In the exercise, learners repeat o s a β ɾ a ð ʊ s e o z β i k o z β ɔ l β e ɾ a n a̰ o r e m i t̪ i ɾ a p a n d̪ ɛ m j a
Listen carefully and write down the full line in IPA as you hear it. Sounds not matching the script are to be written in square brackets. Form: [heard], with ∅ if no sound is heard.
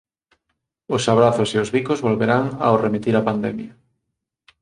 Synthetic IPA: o s a β ɾ a [θ] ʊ s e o z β i k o z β [o] l β e ɾ a [ŋ] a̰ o r e m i t̪ i ɾ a p a n d̪ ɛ m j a